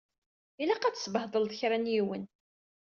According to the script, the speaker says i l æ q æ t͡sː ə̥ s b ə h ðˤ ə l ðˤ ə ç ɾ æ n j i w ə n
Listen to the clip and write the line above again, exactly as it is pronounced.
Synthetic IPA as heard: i l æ q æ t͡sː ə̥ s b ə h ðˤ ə l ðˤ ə ç ɾ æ n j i w ə n